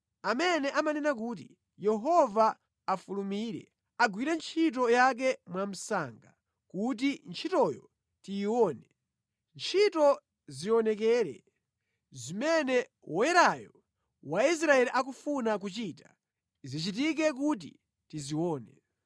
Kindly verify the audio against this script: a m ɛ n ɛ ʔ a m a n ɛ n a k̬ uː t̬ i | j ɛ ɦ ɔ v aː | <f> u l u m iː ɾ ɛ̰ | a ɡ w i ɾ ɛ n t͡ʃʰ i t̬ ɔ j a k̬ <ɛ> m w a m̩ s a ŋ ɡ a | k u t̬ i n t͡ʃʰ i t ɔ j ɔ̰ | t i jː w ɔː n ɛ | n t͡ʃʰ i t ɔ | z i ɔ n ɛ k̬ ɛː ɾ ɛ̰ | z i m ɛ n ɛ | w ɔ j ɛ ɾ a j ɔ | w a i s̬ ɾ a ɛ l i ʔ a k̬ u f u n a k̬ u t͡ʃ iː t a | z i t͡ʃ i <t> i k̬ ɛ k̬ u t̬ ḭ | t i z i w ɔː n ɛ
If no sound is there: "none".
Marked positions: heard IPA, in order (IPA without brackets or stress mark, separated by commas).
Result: f, ɛ, t